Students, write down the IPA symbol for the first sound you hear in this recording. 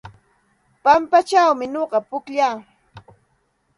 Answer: p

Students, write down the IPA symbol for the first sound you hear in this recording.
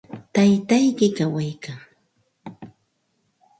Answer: t̪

